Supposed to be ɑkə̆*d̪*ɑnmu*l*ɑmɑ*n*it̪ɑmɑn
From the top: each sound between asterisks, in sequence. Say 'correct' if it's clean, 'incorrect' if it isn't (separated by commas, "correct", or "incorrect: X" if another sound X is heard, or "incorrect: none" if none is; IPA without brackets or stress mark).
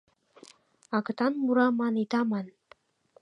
incorrect: t̪, incorrect: ɾ, correct